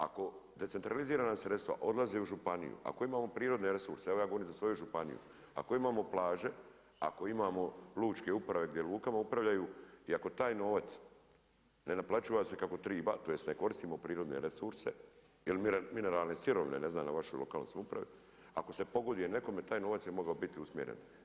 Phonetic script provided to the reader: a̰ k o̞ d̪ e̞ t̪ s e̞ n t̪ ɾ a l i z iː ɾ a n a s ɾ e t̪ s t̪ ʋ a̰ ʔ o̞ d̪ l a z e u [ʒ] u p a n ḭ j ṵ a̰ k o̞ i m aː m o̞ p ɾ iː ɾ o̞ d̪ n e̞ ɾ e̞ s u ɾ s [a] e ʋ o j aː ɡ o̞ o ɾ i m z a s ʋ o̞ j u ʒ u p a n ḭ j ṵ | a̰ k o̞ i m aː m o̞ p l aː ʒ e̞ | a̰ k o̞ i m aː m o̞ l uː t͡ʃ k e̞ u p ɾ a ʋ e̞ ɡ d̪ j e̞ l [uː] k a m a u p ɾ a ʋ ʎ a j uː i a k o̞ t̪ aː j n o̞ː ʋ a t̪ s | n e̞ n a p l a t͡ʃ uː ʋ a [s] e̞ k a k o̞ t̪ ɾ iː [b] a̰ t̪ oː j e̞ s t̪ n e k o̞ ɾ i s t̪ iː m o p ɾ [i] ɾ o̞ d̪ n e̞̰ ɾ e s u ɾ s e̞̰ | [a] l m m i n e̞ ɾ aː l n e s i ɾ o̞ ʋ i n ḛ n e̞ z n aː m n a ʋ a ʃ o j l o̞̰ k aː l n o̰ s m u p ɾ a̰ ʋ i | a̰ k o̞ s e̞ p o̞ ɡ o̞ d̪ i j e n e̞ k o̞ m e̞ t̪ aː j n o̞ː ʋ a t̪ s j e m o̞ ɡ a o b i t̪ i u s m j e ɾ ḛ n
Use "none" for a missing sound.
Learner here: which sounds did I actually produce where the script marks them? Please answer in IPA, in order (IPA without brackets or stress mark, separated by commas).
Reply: ʒ, e, uː, s, b, iː, i